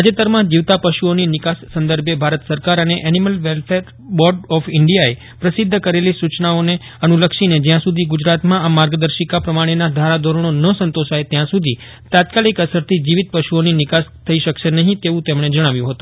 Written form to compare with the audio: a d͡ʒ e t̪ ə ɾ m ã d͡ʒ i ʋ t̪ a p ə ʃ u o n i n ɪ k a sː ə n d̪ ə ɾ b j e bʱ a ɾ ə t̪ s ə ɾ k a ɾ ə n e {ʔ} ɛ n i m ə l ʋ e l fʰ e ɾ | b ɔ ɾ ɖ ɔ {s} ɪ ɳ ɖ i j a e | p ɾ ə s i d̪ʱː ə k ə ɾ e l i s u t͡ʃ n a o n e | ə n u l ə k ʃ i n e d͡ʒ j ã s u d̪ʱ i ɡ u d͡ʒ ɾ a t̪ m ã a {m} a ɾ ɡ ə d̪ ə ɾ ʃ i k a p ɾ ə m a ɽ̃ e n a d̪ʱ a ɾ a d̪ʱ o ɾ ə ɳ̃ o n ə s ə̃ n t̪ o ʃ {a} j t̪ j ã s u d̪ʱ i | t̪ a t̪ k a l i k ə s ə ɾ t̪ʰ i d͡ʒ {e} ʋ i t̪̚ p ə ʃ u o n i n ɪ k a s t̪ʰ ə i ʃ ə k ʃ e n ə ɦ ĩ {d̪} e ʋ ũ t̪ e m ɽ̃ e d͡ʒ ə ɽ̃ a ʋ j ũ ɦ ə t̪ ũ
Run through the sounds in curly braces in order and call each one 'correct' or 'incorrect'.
correct, incorrect: f, correct, correct, incorrect: i, incorrect: t̪

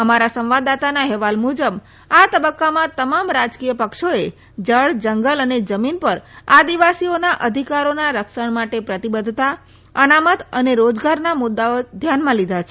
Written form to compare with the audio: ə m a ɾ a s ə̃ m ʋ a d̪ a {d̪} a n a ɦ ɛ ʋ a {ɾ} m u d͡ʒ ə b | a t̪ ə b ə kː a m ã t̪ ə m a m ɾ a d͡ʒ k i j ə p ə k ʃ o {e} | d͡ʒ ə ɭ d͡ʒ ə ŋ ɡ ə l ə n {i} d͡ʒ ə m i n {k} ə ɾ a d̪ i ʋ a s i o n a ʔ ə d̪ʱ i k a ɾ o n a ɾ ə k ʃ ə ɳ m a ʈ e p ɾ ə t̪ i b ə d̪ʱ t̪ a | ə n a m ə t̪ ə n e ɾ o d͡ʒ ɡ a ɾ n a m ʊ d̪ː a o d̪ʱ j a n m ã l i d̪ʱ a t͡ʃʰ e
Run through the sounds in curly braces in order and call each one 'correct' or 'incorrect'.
incorrect: t̪, incorrect: l, correct, incorrect: e, incorrect: p

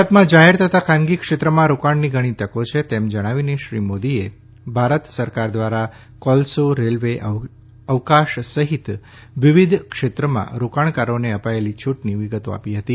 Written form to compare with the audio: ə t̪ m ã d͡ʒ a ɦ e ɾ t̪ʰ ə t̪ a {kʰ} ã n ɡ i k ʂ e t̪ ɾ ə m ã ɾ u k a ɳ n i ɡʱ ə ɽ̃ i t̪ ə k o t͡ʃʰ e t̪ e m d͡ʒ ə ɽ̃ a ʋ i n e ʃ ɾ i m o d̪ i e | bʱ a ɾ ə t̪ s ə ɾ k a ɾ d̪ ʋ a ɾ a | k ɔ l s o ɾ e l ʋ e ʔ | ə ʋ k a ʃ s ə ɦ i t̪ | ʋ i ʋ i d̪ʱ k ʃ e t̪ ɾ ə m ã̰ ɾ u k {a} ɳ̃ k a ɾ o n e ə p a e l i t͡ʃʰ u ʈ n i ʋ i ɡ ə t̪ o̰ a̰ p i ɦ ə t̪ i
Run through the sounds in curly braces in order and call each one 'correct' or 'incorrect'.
correct, correct

